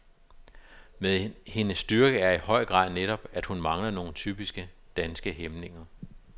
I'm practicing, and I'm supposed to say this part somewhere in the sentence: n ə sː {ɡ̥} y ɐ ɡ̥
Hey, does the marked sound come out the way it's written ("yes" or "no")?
no